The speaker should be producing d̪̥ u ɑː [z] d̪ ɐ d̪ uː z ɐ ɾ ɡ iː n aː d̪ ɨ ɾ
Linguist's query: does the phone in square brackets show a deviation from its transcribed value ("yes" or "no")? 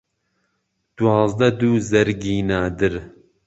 no